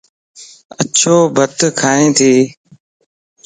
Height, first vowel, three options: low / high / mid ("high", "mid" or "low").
mid